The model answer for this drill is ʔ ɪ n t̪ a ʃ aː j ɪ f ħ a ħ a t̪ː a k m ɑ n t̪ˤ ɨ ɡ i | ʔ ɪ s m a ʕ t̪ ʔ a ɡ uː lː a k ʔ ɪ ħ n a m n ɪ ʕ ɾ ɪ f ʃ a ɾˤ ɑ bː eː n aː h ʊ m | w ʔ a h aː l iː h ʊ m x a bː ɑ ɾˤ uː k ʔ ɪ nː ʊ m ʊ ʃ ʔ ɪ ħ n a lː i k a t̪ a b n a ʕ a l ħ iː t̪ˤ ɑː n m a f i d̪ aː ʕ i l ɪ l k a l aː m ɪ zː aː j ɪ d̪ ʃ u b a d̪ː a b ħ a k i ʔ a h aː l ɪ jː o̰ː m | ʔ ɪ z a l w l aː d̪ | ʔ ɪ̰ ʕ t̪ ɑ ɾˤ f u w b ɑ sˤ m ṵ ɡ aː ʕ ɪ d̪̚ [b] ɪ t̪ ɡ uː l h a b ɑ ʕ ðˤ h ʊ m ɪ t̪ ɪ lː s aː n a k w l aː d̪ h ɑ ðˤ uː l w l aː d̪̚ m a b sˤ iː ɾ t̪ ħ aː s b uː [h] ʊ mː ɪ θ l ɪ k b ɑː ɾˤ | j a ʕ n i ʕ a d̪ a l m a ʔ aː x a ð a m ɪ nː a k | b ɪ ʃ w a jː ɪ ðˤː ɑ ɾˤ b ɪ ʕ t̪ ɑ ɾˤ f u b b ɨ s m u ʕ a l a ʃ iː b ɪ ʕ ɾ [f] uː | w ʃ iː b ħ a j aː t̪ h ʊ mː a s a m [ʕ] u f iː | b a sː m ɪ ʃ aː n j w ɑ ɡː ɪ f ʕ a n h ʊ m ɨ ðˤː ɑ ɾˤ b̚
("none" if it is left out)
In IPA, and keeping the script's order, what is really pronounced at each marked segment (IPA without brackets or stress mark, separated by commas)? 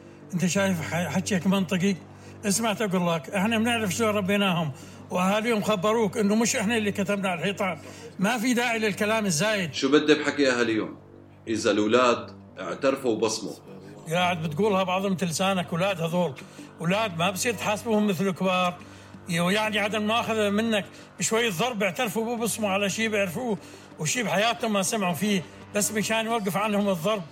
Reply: b, h, f, ʕ